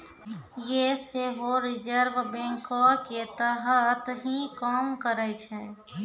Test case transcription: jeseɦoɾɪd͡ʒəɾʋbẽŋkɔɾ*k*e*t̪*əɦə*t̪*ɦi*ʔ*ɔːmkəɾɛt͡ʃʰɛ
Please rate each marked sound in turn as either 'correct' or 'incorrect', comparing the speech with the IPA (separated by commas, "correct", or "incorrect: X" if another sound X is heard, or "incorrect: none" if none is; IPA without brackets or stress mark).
correct, correct, correct, incorrect: k